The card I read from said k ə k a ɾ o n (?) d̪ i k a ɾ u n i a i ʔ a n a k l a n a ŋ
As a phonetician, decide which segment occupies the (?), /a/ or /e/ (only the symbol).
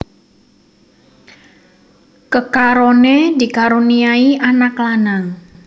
e